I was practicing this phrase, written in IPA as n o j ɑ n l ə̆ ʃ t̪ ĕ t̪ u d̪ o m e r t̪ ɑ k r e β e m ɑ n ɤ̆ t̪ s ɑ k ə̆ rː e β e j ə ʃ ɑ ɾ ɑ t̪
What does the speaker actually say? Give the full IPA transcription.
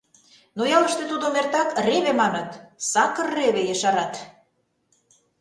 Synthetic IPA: n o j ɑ l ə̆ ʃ t̪ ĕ t̪ u d̪ o m e r t̪ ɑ k r e β e m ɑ n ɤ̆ t̪ s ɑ k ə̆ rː e β e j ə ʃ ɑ ɾ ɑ t̪